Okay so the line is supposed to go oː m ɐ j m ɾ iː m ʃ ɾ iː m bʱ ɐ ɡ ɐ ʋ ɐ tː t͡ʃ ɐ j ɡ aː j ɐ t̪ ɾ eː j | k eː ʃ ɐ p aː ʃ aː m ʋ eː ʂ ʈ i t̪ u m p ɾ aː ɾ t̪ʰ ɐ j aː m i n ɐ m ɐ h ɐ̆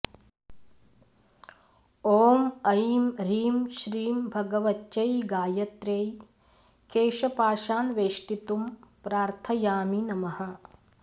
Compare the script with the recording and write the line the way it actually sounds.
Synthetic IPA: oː m ɐ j m ɾ iː m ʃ ɾ iː m bʱ ɐ ɡ ɐ ʋ ɐ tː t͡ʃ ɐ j ɡ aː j ɐ t̪ ɾ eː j | k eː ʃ ɐ p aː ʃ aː n ʋ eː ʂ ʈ i t̪ u m p ɾ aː ɾ t̪ʰ ɐ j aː m i n ɐ m ɐ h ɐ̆